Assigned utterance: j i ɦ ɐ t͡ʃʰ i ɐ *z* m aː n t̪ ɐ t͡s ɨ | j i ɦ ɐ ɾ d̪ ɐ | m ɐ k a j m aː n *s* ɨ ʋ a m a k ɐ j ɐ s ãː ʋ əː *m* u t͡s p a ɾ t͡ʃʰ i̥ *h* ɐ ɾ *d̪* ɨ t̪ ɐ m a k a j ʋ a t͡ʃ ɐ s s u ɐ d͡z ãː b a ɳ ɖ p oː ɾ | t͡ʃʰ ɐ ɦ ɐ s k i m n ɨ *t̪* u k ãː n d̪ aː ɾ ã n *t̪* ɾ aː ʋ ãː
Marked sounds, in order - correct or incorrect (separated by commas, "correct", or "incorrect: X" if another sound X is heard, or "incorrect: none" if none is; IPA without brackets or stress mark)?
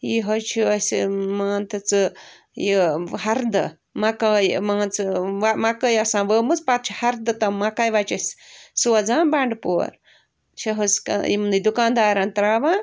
incorrect: s, incorrect: t͡s, correct, correct, correct, incorrect: d̪, correct